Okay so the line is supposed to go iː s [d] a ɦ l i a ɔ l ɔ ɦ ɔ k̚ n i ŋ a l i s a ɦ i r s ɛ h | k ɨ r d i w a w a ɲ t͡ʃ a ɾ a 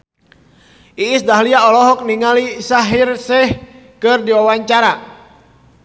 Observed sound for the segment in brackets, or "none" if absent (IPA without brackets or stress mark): d